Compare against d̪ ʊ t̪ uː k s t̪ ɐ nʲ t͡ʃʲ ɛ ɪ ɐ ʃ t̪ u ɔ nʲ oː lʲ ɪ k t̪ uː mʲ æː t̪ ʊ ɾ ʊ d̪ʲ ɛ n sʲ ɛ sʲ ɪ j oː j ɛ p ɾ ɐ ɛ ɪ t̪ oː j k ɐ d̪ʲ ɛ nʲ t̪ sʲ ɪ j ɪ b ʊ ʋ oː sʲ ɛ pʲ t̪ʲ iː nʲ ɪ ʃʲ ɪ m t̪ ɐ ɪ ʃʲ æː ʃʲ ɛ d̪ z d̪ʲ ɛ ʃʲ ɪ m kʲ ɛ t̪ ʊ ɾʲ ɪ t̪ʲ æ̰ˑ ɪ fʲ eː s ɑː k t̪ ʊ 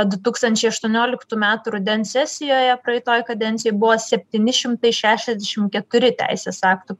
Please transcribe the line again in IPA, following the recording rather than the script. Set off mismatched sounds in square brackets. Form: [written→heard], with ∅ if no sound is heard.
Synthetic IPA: d̪ ʊ t̪ uː k s t̪ ɐ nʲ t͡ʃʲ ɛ ɪ ɐ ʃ t̪ u ɔ nʲ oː lʲ ɪ k t̪ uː mʲ æː t̪ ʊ ɾ ʊ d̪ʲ ɛ n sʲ ɛ sʲ ɪ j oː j ɛ p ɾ ɐ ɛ ɪ t̪ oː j k ɐ d̪ʲ ɛ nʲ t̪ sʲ ɪ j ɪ b ʊ ʋ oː sʲ ɛ pʲ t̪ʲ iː nʲ ɪ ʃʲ ɪ m t̪ ɐ ɪ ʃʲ æː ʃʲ ɛ [d̪→∅] z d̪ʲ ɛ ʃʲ ɪ m kʲ ɛ t̪ ʊ ɾʲ ɪ t̪ʲ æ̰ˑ ɪ [fʲ→sʲ] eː s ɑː k t̪ ʊ